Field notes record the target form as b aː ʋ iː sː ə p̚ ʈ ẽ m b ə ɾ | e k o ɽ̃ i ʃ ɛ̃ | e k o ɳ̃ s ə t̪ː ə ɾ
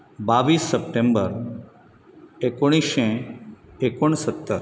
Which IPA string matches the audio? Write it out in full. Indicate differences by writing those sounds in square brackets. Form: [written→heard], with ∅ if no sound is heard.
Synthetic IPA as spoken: b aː ʋ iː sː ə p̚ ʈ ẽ m b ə ɾ | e k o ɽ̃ i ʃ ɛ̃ | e k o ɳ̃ s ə t̪ː ə ɾ